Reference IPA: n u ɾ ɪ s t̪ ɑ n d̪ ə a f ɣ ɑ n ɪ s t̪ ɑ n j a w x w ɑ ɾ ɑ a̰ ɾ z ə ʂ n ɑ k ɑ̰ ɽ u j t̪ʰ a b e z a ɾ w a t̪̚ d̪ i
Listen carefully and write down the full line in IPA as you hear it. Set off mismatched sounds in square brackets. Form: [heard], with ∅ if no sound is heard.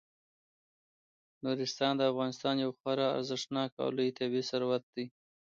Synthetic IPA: n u ɾ ɪ s t̪ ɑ n d̪ ə a f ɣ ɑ n ɪ s t̪ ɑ n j a w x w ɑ ɾ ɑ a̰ ɾ z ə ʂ n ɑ k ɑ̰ [l] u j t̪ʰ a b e [s] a ɾ w a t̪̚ d̪ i